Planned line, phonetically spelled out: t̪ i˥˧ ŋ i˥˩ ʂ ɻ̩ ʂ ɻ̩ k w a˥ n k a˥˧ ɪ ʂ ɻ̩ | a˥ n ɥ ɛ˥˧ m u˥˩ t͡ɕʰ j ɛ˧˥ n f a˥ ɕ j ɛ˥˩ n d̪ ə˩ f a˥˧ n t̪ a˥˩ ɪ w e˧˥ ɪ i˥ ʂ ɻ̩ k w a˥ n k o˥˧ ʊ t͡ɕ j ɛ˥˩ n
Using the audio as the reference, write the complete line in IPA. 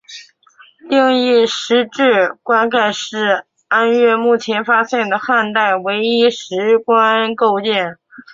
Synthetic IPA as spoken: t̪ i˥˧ ŋ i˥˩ ʂ ɻ̩ ʈ͡ʂ ɻ̩ k w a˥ n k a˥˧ ɪ ʂ ɻ̩ | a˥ n ɥ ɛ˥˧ m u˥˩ t͡ɕʰ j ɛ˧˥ n f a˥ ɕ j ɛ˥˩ n d̪ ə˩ x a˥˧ n t̪ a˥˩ ɪ w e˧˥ ɪ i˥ ʂ ɻ̩ k w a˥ n k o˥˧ ʊ t͡ɕ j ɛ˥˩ n